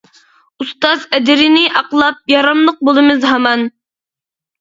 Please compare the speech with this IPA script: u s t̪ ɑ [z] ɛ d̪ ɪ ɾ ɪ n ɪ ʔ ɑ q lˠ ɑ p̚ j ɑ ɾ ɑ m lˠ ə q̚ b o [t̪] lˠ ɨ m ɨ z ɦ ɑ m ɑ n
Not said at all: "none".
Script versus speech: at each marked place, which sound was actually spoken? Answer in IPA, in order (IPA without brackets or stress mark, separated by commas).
z, none